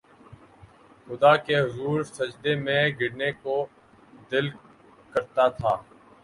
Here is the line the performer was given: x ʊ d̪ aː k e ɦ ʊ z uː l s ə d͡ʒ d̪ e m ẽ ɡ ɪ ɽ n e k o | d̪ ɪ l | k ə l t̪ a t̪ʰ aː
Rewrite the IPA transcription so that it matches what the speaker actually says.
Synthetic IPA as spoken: x ʊ d̪ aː k e ɦ ʊ z uː ɾ s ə d͡ʒ d̪ e m ẽ ɡ ɪ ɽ n e k o | d̪ ɪ l | k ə ɾ t̪ a t̪ʰ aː

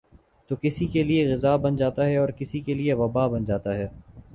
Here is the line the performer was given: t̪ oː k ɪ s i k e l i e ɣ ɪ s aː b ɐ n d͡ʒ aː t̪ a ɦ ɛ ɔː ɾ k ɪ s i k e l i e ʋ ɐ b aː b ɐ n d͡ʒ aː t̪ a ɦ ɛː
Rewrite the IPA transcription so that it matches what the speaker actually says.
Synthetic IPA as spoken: t̪ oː k ɪ s i k e l i e ɣ ɪ z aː b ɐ n d͡ʒ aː t̪ a ɦ ɛ ɔː ɾ k ɪ s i k e l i e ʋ ɐ b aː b ɐ n d͡ʒ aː t̪ a ɦ ɛː

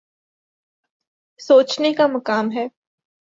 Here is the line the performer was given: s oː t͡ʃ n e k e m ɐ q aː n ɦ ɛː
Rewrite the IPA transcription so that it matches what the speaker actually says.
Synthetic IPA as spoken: s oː t͡ʃ n e k a m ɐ k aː m ɦ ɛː

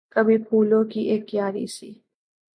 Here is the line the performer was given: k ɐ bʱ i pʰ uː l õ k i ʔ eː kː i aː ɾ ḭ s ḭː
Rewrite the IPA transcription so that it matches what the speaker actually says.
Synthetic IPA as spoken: k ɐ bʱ i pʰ uː l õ k i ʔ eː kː j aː ɾ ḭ s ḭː

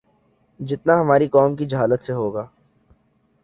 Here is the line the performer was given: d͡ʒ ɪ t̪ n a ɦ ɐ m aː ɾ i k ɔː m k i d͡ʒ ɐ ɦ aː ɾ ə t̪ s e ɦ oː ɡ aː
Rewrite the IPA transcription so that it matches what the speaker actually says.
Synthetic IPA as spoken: d͡ʒ ɪ t̪ n a ɦ ɐ m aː ɾ i k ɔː m k i d͡ʒ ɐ ɦ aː l ə t̪ s e ɦ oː ɡ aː

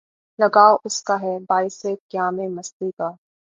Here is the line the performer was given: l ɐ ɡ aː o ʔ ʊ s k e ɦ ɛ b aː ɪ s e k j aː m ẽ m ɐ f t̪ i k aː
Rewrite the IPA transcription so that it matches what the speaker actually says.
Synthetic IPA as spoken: l ɐ ɡ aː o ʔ ʊ s k a ɦ ɛ b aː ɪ s e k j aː m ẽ m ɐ s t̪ i k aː

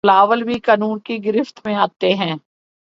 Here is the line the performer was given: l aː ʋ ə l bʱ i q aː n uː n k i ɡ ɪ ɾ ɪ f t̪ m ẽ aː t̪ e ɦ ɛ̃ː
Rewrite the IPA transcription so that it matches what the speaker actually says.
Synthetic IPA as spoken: l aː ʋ ə l bʱ i k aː n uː n k i ɡ ɪ ɾ ɪ f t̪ m ẽ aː t̪ e ɦ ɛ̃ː

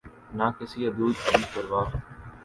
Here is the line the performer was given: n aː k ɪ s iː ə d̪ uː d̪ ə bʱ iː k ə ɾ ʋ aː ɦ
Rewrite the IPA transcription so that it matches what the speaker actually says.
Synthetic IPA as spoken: n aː k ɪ s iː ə d̪ uː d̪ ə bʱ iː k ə ɾ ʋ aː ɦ

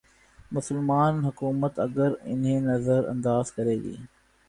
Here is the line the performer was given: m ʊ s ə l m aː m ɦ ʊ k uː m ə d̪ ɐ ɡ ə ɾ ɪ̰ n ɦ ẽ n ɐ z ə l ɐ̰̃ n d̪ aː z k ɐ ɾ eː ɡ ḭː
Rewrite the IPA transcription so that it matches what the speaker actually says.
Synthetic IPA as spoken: m ʊ s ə l m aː n ɦ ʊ k uː m ə t̪ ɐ ɡ ə ɾ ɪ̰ n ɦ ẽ n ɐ z ə ɾ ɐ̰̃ n d̪ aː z k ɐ ɾ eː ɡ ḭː

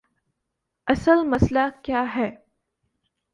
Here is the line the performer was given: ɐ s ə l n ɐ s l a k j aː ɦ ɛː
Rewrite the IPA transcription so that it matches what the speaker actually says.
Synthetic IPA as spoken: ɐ s ə l m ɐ s l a k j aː ɦ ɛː

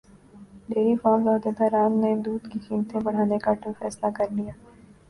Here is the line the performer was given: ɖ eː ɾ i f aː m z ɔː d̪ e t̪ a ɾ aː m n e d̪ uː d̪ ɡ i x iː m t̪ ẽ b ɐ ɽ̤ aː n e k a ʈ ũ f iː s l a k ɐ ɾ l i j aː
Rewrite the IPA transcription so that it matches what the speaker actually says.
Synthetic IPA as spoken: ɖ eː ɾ i f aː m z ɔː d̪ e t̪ a ɾ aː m n e d̪ uː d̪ k i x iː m t̪ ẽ b ɐ ɽ̤ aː n e k a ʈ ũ f ɛː s l a k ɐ ɾ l i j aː

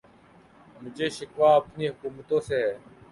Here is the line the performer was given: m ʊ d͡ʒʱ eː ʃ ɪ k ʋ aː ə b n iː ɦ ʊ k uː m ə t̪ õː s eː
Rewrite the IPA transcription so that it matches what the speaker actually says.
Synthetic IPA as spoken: m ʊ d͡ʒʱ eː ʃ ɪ k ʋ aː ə p n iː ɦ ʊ k uː m ə t̪ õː s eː

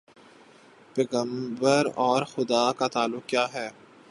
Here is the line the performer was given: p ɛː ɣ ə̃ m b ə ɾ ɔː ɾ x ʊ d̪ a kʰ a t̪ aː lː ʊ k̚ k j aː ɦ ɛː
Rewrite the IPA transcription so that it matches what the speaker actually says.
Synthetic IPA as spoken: p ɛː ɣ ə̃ m b ə ɾ ɔː ɾ x ʊ d̪ a k a t̪ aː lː ʊ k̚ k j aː ɦ ɛː

